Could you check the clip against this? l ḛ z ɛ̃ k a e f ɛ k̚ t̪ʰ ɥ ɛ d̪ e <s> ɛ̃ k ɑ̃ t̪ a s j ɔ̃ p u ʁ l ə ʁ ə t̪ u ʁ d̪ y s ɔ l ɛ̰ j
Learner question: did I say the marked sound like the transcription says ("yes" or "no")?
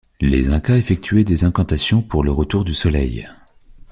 no